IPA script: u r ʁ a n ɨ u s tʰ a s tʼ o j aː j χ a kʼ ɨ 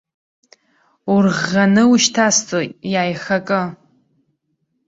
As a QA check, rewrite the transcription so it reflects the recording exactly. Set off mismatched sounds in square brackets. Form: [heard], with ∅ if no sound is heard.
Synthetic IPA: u r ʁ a n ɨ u [ʃ] tʰ a s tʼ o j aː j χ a kʼ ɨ